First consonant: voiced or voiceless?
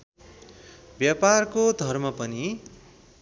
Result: voiced